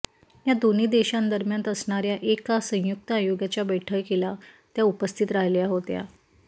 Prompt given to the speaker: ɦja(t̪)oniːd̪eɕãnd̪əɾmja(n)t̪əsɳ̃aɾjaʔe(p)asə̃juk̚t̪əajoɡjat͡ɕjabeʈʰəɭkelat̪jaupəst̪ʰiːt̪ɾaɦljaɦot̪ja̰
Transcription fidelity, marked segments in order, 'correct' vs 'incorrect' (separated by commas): incorrect, correct, incorrect